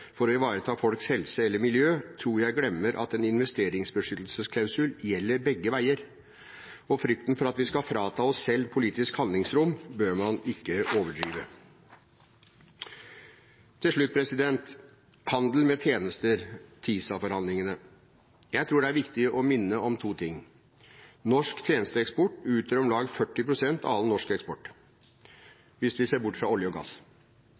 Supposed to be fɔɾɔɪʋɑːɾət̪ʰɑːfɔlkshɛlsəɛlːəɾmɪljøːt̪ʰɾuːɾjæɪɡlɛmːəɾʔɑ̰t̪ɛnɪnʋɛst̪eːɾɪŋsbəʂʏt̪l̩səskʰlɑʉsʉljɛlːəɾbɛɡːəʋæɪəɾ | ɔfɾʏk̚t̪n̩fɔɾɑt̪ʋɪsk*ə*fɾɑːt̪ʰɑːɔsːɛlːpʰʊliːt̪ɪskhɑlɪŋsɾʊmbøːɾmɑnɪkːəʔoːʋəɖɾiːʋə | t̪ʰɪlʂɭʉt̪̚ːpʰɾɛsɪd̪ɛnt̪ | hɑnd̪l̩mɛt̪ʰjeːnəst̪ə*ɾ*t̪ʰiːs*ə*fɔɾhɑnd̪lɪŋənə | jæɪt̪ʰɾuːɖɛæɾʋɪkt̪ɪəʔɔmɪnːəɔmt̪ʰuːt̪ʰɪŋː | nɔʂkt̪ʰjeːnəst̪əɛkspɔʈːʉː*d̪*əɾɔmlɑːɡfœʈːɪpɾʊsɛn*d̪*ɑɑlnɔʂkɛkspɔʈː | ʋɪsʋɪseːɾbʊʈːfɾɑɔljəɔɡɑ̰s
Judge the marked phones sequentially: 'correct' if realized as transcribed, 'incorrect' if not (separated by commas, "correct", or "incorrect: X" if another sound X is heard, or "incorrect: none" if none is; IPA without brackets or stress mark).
incorrect: ɑ, correct, incorrect: ɑ, incorrect: t̪, incorrect: t̪